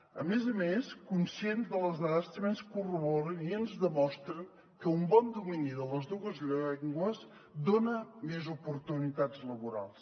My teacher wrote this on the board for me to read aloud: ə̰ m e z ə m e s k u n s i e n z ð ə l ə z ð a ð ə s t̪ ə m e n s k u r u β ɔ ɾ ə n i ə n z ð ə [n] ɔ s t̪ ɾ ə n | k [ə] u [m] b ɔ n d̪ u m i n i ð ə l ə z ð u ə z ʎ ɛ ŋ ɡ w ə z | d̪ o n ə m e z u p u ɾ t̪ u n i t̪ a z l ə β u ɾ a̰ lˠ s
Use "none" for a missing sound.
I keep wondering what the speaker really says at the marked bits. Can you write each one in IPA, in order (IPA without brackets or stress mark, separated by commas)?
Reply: m, ə, m